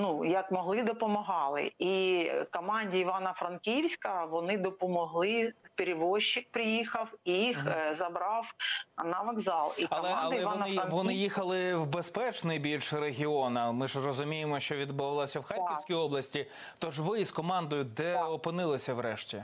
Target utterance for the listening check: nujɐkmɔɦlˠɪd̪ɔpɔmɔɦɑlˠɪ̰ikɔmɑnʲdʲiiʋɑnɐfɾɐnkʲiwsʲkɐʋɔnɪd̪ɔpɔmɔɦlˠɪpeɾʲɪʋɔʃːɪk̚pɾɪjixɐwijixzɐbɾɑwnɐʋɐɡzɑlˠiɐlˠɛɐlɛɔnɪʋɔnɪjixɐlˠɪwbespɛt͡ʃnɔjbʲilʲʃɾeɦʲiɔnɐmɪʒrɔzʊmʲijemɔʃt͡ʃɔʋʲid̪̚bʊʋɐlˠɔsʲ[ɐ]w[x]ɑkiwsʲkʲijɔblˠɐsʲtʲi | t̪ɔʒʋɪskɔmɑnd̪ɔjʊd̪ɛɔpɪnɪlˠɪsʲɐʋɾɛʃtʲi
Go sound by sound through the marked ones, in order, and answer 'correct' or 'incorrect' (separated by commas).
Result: correct, correct